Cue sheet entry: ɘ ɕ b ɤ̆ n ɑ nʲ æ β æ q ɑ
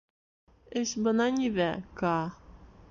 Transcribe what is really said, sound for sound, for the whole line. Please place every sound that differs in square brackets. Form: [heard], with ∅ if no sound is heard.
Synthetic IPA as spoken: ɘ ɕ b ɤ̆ n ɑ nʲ [i] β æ [k] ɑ